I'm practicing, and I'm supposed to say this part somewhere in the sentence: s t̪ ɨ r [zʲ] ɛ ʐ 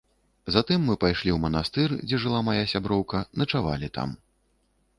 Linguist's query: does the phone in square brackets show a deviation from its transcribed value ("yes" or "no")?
yes